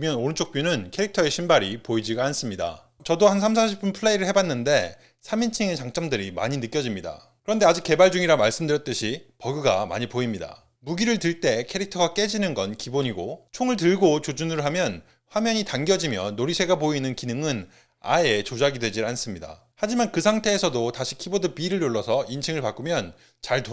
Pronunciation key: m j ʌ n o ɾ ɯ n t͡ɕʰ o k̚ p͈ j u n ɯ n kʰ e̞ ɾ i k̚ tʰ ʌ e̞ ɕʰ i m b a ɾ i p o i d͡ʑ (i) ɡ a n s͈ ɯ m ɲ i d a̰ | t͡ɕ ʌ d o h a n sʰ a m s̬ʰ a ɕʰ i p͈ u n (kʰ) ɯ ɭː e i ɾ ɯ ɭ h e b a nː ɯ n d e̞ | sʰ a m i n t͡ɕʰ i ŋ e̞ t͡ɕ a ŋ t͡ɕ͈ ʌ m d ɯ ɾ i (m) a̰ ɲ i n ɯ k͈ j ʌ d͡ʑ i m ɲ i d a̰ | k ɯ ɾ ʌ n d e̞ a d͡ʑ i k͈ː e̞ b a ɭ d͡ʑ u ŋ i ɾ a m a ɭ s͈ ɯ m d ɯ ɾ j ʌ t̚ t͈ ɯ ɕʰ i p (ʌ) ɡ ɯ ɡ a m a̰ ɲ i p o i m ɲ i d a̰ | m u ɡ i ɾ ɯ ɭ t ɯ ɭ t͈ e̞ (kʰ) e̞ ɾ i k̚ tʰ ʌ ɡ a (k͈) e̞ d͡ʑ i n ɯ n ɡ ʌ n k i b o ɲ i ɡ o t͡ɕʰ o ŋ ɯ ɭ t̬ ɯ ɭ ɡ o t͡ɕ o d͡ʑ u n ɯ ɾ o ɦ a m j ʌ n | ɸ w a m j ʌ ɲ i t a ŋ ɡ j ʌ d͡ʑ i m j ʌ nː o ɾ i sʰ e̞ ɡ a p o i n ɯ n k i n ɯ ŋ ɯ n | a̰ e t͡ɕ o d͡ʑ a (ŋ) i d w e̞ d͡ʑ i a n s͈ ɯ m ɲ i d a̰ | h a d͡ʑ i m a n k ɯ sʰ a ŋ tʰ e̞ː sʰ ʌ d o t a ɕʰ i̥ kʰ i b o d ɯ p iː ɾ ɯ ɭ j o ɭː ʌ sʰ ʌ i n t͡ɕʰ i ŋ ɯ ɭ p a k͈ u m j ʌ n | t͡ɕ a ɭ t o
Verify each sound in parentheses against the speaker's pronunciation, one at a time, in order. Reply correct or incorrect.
correct, incorrect, correct, correct, correct, correct, incorrect

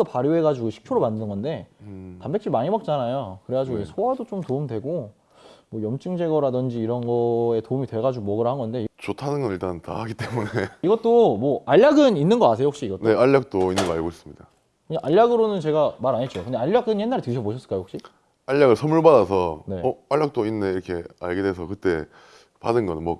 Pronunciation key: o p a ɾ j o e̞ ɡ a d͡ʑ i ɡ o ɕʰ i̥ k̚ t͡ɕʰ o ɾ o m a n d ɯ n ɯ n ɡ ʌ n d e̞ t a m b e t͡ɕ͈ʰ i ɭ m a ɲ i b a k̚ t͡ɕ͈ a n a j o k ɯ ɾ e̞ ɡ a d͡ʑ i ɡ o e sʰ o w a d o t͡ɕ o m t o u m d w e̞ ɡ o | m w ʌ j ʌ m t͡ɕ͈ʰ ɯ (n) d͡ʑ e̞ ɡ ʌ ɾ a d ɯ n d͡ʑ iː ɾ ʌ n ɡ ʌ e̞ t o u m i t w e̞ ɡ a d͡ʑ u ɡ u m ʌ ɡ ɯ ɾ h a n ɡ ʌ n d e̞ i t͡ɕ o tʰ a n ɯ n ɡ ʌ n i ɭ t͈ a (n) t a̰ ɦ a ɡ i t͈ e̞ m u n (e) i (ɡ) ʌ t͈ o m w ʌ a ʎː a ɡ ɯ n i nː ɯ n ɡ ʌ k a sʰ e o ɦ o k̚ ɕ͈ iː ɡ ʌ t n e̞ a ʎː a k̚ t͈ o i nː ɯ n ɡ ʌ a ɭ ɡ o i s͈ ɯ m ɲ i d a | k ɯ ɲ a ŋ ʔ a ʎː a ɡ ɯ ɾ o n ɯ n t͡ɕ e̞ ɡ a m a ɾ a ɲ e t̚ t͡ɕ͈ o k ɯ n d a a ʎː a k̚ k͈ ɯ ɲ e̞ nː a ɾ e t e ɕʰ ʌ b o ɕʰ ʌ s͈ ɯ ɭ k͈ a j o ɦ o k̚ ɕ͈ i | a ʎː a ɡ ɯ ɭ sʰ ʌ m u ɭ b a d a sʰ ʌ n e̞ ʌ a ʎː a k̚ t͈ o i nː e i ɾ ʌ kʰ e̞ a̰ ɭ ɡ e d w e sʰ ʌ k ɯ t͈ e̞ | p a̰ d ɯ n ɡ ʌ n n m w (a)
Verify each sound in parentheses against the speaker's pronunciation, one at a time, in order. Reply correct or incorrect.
incorrect, correct, correct, correct, incorrect

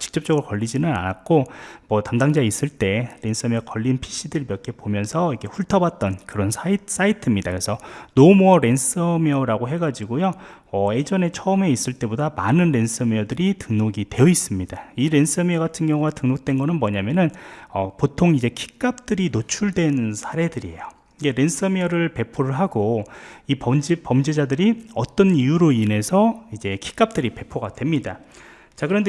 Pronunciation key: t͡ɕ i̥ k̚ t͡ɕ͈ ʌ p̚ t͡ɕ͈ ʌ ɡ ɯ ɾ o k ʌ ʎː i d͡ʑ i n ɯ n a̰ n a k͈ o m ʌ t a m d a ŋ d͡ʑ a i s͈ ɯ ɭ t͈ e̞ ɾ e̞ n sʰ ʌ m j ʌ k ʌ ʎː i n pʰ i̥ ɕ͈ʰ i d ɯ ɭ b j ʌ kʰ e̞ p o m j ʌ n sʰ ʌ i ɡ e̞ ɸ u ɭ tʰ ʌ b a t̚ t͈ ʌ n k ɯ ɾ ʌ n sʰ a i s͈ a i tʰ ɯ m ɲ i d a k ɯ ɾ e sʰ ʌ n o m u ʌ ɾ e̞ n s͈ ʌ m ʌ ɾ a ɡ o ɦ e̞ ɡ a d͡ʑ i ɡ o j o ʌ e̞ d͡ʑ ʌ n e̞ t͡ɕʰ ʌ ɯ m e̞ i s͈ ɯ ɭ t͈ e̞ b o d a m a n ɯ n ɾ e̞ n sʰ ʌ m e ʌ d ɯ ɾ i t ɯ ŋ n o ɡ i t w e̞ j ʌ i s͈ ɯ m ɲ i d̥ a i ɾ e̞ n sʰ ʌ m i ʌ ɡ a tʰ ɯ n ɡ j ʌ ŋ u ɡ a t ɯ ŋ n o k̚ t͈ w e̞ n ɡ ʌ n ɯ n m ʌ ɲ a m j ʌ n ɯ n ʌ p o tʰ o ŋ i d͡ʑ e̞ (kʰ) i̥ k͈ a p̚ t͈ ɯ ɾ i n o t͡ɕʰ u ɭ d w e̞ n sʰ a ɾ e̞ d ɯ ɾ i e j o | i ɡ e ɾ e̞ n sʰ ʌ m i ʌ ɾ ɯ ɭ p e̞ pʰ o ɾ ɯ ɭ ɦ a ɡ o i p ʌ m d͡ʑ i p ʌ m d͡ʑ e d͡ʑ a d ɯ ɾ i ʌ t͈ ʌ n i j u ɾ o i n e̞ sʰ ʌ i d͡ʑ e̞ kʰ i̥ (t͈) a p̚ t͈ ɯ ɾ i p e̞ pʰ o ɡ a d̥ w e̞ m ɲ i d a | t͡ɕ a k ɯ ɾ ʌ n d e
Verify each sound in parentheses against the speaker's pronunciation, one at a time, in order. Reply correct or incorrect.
correct, incorrect

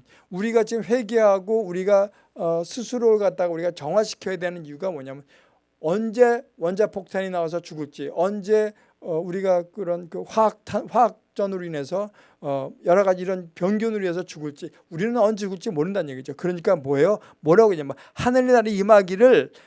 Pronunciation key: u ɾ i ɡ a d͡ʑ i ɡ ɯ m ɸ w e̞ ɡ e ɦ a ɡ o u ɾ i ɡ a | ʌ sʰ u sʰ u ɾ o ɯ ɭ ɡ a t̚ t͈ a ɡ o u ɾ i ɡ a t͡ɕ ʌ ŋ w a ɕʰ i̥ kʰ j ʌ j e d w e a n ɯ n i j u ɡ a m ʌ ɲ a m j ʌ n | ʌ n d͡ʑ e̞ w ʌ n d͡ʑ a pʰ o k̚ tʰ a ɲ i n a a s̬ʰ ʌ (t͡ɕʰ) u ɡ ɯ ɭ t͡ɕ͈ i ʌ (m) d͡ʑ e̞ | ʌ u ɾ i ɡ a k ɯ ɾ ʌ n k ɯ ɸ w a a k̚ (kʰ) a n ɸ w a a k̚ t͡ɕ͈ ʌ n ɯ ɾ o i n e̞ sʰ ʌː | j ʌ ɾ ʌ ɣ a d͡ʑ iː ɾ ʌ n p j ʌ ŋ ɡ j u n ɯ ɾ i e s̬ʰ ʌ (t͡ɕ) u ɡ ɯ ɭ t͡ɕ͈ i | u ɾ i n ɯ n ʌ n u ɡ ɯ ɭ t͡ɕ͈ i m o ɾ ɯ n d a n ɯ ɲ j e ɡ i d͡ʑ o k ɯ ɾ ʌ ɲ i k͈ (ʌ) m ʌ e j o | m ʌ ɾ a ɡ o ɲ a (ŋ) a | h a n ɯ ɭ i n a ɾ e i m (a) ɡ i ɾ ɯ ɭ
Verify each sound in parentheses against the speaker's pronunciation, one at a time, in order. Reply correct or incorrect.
incorrect, incorrect, incorrect, correct, incorrect, incorrect, correct

